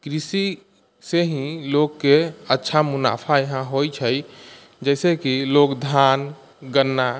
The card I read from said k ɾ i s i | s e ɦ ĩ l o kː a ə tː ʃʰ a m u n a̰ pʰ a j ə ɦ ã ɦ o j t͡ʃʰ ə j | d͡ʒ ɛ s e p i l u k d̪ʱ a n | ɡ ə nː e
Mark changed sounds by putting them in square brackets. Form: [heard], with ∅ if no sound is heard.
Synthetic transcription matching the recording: k ɾ i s i | s e ɦ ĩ l o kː [e] ə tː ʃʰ a m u n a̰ pʰ a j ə ɦ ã ɦ o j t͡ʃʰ ə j | d͡ʒ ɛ s e [k] i l [o] k d̪ʱ a n | ɡ ə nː [a]